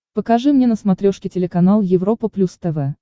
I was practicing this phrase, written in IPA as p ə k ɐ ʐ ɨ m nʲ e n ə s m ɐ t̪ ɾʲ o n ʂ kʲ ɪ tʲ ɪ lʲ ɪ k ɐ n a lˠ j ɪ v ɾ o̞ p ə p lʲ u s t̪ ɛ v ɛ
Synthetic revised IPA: p ə k ɐ ʐ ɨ m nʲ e n ə s m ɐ t̪ ɾʲ o ʂ kʲ ɪ tʲ ɪ lʲ ɪ k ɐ n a lˠ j ɪ v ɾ o̞ p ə p lʲ u s t̪ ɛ v ɛ